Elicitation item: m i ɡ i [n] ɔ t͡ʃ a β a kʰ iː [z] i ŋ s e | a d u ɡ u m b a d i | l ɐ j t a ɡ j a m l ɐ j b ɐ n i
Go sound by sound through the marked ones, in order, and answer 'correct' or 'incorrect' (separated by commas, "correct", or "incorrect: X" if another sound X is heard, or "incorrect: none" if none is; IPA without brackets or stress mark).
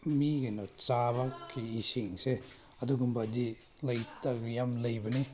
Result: correct, incorrect: s